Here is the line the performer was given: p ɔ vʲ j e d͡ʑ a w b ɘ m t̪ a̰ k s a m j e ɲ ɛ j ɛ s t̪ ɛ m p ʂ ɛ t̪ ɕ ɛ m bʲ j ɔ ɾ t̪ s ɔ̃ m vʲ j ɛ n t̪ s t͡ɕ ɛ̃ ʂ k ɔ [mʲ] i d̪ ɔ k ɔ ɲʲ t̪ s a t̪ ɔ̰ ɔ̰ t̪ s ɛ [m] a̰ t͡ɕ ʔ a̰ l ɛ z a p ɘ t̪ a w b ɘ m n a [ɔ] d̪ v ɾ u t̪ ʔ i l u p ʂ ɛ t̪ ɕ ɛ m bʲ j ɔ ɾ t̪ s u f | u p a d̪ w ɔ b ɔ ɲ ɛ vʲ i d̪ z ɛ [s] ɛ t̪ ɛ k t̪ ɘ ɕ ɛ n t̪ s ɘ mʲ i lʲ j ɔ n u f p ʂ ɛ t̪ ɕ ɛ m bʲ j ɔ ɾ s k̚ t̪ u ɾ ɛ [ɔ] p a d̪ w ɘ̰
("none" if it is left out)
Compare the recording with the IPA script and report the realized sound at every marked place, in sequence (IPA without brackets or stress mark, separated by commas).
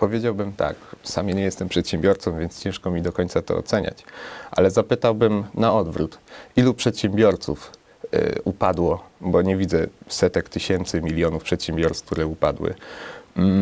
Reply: mʲ, ɲ, ɔ, s, u